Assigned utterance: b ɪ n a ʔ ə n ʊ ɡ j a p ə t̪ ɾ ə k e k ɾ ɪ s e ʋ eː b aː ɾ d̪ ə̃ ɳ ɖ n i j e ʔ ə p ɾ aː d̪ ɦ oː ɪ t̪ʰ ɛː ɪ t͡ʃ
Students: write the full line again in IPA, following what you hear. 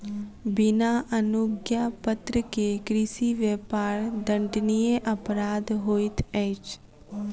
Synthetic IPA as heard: b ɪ n a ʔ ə n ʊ ɡ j a p ə t̪ ɾ ə k e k ɾ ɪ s i ʋ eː p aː ɾ d̪ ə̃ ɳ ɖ n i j e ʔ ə p ɾ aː d̪ ɦ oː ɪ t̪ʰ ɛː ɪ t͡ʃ